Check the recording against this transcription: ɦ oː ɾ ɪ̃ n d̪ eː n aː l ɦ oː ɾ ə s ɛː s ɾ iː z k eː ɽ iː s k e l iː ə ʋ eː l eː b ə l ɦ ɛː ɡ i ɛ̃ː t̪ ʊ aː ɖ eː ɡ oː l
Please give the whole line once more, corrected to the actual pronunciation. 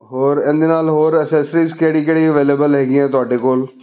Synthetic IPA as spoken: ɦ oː ɾ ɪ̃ n d̪ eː n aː l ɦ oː ɾ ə s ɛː s ɾ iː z k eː ɽ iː k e ɽ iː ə ʋ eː l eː b ə l ɦ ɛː ɡ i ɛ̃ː t̪ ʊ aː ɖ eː k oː l